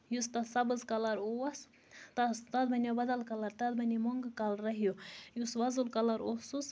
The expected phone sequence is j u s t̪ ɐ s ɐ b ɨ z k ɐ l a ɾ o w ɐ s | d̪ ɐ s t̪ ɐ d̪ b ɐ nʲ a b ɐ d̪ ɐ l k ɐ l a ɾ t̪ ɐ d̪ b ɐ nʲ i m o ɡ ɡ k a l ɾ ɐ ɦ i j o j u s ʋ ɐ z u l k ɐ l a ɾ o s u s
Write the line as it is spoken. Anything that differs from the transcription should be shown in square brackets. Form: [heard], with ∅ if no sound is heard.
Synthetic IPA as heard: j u s t̪ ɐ s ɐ b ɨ z k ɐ l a ɾ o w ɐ s | [t̪] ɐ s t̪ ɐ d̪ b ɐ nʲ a b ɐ d̪ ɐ l k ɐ l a ɾ t̪ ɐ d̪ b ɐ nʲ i m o [ŋ] ɡ k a l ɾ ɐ ɦ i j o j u s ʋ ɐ z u l k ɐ l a ɾ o s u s